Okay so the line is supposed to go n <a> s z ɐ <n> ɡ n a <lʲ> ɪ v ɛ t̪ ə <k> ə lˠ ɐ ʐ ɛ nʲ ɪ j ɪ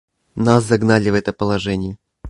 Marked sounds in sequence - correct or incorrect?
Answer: correct, incorrect: none, correct, incorrect: p

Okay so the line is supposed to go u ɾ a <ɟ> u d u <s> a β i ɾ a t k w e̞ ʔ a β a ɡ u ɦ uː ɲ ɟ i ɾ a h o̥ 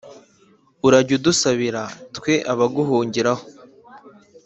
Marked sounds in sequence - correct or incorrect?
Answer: correct, correct

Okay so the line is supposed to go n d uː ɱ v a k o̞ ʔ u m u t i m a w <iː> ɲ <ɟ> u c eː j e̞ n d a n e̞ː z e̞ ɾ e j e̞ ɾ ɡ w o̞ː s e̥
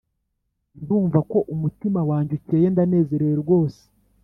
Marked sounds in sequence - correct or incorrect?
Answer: incorrect: aː, correct

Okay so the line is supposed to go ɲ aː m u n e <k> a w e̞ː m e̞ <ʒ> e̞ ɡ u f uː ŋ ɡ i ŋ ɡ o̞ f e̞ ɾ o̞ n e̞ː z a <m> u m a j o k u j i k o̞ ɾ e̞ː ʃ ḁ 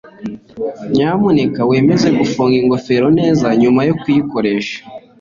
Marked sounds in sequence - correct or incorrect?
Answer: correct, incorrect: z, incorrect: ɲ

